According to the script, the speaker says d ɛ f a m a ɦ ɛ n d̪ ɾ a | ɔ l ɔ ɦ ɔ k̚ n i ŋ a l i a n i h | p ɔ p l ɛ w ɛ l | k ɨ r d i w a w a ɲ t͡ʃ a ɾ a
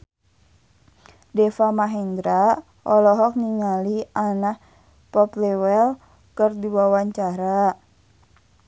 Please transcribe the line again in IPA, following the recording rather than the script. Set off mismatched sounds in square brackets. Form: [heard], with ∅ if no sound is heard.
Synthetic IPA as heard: d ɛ f a m a ɦ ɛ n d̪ ɾ a | ɔ l ɔ ɦ ɔ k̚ n i ŋ a l i a n [a] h | p ɔ p l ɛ w ɛ l | k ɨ r d i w a w a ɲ t͡ʃ a ɾ a